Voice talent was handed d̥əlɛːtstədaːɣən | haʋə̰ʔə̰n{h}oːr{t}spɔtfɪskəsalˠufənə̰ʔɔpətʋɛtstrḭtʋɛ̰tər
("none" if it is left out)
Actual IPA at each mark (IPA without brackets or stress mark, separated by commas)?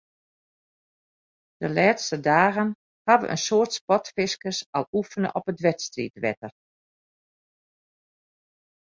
s, t